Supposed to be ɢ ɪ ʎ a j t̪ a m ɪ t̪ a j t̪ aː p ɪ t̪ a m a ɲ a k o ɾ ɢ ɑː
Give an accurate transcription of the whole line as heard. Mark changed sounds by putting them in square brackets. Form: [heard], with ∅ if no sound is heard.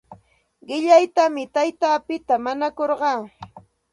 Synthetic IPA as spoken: ɢ ɪ ʎ a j t̪ a m ɪ t̪ a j t̪ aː p ɪ t̪ a m a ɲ a k o ɾ ɢ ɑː